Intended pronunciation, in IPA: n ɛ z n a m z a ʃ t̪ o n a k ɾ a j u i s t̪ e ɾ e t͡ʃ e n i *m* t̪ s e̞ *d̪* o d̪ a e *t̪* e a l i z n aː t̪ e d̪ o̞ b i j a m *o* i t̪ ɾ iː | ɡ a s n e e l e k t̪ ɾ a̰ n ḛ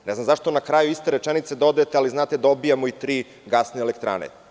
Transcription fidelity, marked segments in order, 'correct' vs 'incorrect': incorrect: none, correct, correct, correct

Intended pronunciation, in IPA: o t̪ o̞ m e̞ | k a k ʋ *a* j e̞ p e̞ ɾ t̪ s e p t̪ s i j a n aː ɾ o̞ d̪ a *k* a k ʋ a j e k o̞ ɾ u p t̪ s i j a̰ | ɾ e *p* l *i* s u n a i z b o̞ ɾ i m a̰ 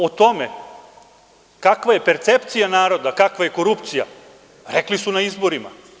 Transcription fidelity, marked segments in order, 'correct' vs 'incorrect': correct, correct, incorrect: k, correct

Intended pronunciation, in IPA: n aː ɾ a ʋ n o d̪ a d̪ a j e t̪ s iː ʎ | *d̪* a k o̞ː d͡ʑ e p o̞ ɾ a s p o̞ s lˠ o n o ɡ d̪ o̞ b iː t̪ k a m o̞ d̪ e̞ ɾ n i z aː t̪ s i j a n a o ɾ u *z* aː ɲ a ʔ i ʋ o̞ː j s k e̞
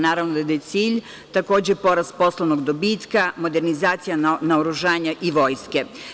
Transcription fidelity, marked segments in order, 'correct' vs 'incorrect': incorrect: t̪, incorrect: ʒ

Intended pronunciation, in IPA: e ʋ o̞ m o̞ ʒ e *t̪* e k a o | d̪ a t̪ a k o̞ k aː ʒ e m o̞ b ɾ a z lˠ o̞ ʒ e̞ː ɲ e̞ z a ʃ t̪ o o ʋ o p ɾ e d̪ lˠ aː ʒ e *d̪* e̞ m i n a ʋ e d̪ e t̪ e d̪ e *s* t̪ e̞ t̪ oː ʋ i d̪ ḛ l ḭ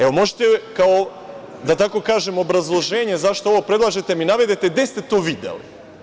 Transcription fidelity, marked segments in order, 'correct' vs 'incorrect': correct, incorrect: t̪, correct

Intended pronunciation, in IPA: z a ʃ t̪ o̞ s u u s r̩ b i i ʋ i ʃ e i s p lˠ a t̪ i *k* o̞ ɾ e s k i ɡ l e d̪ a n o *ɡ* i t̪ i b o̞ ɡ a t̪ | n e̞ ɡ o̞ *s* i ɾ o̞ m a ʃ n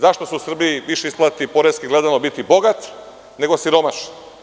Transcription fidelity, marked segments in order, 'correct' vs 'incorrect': incorrect: p, incorrect: b, correct

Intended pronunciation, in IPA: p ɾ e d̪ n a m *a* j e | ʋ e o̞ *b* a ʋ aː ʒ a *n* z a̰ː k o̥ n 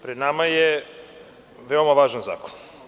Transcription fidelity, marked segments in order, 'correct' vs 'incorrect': correct, incorrect: m, correct

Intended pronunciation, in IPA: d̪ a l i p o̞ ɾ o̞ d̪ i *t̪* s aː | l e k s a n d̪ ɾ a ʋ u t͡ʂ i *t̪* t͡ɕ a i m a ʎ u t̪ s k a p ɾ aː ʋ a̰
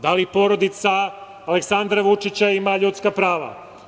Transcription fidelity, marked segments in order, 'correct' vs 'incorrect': correct, incorrect: none

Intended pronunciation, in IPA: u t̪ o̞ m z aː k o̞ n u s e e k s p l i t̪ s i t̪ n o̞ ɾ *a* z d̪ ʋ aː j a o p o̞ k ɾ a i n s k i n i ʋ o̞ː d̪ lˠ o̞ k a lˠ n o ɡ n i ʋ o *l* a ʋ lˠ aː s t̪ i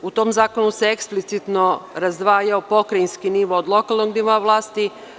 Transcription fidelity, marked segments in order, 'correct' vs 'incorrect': correct, incorrect: none

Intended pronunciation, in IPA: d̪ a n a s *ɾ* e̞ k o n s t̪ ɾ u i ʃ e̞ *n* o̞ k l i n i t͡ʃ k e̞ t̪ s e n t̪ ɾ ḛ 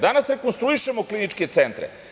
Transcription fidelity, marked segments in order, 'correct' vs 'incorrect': correct, incorrect: m

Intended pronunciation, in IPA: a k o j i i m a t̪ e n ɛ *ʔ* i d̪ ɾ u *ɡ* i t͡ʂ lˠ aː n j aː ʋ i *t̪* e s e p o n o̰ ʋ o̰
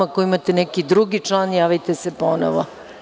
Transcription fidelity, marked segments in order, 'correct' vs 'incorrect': incorrect: k, correct, correct

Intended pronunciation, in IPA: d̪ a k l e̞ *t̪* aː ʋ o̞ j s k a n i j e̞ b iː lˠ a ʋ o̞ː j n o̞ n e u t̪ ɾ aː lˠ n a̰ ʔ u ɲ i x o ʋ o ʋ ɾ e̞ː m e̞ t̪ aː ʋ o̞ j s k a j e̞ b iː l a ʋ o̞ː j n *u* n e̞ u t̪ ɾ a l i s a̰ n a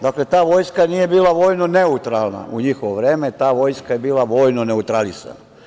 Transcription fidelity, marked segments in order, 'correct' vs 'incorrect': correct, incorrect: o

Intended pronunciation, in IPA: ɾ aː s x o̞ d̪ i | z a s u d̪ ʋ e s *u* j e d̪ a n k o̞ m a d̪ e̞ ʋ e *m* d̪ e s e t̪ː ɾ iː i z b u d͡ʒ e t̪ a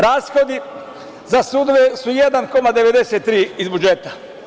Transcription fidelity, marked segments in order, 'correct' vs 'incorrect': correct, incorrect: none

